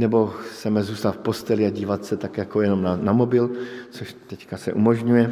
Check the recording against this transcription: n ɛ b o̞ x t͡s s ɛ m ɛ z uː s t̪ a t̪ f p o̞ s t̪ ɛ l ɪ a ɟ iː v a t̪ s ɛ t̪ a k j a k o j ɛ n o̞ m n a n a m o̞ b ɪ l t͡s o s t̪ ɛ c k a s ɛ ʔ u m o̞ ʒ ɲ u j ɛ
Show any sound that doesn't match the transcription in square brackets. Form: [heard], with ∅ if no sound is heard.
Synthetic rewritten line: n ɛ b o̞ x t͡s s ɛ m ɛ z uː s t̪ a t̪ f p o̞ s t̪ ɛ l ɪ a ɟ iː v a t̪ s ɛ t̪ a k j a k o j ɛ n o̞ m n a n a m o̞ b ɪ l t͡s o [ʃ] t̪ ɛ c k a s ɛ ʔ u m o̞ ʒ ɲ u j ɛ